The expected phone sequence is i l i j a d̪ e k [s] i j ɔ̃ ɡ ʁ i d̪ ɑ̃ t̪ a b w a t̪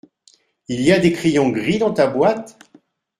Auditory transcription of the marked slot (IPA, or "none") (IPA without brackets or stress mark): χ